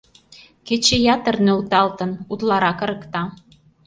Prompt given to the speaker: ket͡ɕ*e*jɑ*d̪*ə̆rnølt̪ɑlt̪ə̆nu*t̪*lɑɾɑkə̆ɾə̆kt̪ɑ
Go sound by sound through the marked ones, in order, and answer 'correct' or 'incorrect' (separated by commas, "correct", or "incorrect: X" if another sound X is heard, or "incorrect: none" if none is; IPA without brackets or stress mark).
correct, incorrect: t̪, correct